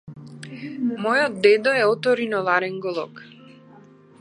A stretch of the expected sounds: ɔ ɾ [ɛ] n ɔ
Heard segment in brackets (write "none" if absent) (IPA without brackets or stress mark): i